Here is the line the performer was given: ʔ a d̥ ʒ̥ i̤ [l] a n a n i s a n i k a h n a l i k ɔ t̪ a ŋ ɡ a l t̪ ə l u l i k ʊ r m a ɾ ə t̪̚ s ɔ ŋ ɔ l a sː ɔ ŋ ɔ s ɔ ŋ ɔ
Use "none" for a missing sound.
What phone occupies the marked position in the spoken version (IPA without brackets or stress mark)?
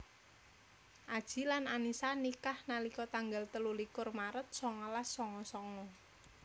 l